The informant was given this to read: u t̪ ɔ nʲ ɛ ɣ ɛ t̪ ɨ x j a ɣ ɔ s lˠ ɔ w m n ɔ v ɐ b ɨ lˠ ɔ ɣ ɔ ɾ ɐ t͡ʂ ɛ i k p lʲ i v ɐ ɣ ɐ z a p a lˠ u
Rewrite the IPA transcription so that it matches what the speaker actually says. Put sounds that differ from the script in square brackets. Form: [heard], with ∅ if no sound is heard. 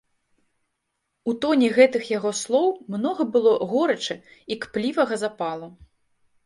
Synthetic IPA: u t̪ ɔ nʲ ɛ ɣ ɛ t̪ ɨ x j a ɣ ɔ s lˠ ɔ w m n ɔ [ɣ] ɐ b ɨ lˠ ɔ ɣ ɔ ɾ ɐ t͡ʂ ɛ i k p lʲ i v ɐ ɣ ɐ z a p a lˠ u